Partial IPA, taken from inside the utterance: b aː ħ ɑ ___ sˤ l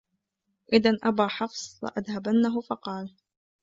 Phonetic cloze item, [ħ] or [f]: f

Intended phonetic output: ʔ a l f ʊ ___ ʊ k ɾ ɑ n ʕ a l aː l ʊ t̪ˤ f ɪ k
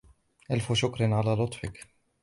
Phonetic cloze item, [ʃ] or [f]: ʃ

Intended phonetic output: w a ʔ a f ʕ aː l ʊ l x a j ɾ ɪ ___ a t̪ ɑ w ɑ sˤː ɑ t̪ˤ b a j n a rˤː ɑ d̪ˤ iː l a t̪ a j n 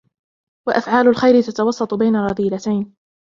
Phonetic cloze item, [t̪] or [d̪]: t̪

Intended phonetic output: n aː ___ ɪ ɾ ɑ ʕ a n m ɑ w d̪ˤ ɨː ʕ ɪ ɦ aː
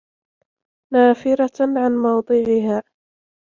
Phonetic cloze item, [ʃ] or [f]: f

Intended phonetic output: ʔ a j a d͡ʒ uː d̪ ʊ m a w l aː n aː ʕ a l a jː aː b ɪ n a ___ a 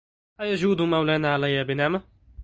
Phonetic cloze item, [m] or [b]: m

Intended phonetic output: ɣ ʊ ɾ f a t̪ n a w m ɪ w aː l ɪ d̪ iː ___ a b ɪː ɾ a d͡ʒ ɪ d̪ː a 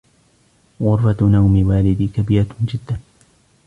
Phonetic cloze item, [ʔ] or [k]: k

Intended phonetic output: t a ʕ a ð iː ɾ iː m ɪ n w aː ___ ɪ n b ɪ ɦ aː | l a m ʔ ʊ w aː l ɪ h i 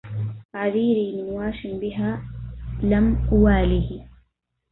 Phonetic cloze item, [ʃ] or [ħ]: ʃ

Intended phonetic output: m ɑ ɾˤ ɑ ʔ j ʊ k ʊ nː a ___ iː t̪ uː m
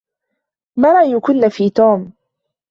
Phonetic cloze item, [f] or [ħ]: f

